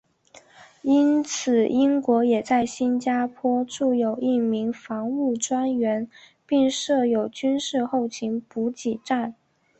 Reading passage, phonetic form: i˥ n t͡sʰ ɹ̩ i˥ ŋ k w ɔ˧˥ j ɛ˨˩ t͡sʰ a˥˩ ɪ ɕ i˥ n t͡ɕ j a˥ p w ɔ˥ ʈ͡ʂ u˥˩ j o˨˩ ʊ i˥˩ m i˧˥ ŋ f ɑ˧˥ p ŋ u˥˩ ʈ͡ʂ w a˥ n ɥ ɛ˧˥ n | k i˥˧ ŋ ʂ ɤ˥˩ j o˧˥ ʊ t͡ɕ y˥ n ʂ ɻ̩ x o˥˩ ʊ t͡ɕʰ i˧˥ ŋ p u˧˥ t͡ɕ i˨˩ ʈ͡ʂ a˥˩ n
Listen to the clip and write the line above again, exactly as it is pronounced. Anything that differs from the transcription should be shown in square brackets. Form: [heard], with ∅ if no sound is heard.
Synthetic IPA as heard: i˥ n t͡sʰ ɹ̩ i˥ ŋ k w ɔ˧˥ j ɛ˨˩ [t͡s] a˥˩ ɪ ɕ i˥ n t͡ɕ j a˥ [pʰ] w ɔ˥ ʈ͡ʂ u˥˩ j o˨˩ ʊ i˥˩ m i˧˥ ŋ f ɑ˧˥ [∅] ŋ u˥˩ ʈ͡ʂ w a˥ n ɥ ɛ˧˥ n | [p] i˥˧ ŋ ʂ ɤ˥˩ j [o˨˩] ʊ t͡ɕ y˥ n ʂ ɻ̩ x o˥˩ ʊ t͡ɕʰ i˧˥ ŋ p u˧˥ t͡ɕ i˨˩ ʈ͡ʂ a˥˩ n